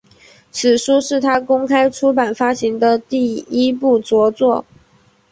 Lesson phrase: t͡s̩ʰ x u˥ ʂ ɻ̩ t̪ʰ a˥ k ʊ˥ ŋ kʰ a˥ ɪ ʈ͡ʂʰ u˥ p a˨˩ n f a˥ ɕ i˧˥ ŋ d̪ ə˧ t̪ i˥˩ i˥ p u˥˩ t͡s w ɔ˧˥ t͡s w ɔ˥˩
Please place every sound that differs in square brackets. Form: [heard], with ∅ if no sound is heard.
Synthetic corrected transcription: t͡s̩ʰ [ʂ] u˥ ʂ ɻ̩ t̪ʰ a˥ k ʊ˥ ŋ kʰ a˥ ɪ ʈ͡ʂʰ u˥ p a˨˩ n f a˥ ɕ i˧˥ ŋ d̪ ə˧ t̪ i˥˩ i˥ p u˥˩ t͡s w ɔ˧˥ t͡s w ɔ˥˩